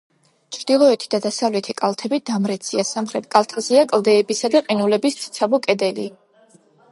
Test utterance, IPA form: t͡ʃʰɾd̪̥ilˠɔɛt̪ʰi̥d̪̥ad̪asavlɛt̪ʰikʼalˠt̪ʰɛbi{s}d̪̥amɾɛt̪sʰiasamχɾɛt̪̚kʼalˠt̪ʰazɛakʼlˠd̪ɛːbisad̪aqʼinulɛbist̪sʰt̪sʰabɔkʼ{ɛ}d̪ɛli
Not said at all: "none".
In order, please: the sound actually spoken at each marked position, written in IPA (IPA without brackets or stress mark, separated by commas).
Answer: none, ɛ